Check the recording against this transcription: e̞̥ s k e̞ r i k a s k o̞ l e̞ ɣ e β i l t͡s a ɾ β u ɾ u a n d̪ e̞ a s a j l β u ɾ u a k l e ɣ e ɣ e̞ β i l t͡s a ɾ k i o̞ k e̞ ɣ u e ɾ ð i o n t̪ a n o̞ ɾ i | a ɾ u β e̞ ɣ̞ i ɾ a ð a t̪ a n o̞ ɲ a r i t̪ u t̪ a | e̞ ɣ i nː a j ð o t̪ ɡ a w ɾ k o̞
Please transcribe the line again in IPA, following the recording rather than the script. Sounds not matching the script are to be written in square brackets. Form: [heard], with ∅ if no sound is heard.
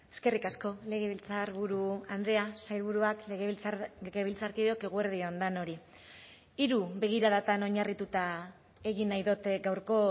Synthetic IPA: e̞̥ s k e̞ r i k a s k o̞ l e̞ ɣ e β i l t͡s a ɾ β u ɾ u a n d̪ e̞ a s a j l β u ɾ u a k l e ɣ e ɣ e̞ β i l t͡s a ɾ k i o̞ k e̞ ɣ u e ɾ ð i o n [d̪] a n o̞ ɾ i | [i] ɾ u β e̞ ɣ̞ i ɾ a ð a t̪ a n o̞ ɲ a r i t̪ u t̪ a | e̞ ɣ i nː a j ð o t̪ ɡ a w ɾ k o̞